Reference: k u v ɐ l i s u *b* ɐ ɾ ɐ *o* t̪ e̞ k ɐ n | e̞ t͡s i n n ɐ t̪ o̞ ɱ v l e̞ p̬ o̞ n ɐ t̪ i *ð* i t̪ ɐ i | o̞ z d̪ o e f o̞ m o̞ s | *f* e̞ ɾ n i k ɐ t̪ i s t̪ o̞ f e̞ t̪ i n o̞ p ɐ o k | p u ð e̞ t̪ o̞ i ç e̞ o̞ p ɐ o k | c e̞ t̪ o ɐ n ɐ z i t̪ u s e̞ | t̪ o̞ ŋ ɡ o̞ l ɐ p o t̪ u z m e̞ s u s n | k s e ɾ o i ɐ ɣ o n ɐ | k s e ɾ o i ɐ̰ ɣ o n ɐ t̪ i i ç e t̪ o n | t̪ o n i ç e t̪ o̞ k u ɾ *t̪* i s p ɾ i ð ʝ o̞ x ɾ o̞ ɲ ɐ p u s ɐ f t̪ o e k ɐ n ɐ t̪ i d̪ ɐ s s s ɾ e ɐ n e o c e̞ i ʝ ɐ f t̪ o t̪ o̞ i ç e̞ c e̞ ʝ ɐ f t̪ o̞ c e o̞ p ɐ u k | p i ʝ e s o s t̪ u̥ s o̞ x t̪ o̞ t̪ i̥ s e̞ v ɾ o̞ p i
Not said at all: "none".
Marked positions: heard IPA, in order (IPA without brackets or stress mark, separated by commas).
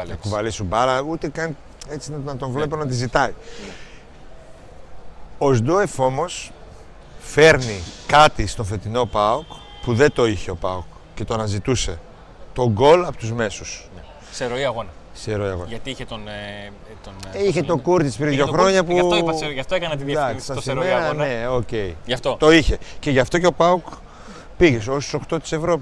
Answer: b, u, z, f, t̪